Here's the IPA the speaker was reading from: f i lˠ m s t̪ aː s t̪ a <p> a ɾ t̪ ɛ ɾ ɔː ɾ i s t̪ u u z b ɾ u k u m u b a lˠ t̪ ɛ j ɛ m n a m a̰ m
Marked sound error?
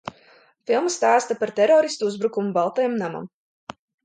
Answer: no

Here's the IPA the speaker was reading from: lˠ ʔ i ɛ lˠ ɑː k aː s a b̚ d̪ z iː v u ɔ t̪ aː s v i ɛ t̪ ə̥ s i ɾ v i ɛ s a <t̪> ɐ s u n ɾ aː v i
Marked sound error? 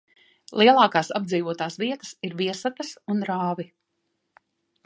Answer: no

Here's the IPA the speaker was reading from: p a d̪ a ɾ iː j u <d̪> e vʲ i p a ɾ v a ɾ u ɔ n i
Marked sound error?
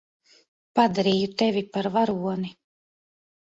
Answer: yes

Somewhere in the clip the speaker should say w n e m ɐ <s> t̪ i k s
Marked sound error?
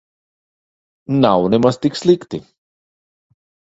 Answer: no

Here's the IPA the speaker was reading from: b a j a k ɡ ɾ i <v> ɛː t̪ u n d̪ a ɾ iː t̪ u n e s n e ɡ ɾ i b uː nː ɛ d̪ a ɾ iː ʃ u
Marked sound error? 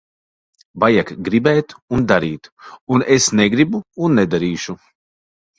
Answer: yes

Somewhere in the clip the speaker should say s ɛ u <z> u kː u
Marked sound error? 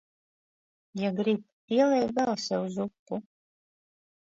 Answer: no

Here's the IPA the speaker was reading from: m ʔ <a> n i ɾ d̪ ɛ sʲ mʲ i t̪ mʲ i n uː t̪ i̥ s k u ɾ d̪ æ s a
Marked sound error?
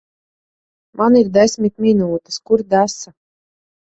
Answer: no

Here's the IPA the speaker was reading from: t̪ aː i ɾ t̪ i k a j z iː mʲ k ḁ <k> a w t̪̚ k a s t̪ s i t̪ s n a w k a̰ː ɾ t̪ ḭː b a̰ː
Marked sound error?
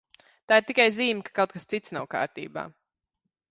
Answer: no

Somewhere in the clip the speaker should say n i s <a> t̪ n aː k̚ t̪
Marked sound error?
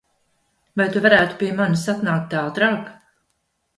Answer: no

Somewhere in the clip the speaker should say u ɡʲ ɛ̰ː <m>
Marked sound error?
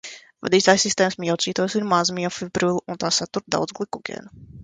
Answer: yes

